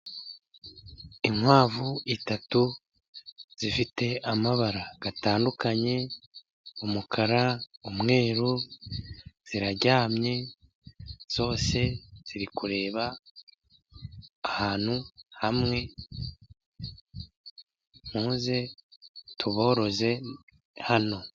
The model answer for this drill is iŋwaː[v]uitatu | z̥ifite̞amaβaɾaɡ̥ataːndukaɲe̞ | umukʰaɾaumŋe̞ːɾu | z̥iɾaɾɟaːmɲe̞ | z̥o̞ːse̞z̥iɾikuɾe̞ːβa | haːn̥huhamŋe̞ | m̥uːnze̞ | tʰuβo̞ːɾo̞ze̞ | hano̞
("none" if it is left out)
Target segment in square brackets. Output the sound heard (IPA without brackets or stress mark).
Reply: v